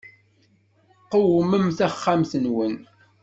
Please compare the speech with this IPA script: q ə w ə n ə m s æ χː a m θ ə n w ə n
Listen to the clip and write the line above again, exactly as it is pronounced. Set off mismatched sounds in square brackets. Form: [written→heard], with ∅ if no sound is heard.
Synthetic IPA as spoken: q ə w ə [n→m] ə m [s→θ] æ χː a m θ ə n w ə n